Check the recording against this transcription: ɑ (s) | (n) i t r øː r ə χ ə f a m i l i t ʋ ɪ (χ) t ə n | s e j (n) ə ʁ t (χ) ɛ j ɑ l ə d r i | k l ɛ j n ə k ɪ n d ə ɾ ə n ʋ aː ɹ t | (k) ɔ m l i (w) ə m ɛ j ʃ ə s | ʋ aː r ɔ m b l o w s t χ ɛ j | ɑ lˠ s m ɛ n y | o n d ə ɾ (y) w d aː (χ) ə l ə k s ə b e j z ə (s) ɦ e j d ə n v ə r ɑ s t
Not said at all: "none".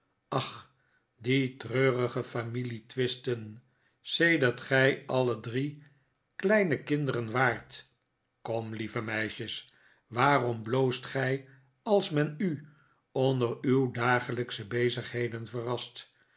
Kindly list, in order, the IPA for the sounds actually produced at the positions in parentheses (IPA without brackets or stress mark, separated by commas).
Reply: χ, d, s, d, χ, k, v, y, χ, χ